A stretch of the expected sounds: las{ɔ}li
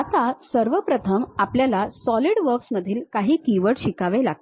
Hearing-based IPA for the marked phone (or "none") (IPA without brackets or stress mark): ɔ